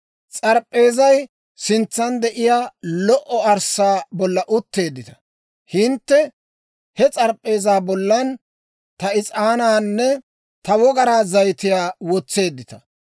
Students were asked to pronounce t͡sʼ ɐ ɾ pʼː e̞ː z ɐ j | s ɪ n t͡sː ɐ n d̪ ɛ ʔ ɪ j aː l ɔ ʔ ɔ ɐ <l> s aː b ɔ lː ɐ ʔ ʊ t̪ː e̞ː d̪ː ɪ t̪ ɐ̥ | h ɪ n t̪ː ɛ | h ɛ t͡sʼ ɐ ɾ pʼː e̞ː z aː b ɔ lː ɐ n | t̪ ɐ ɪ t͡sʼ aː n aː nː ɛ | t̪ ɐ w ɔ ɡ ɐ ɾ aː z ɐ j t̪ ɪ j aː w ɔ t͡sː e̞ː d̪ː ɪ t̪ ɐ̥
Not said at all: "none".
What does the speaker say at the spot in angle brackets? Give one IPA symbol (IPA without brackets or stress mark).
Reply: ɾ